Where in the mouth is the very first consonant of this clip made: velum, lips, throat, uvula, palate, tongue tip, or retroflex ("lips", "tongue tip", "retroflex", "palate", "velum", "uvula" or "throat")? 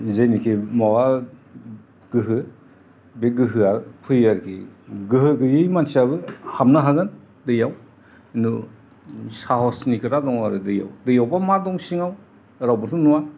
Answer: tongue tip